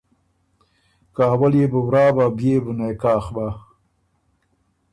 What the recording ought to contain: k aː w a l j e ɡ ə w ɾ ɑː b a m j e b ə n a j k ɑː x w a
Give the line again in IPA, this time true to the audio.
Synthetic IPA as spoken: k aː w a l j e b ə w ɾ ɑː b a b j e b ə n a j k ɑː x b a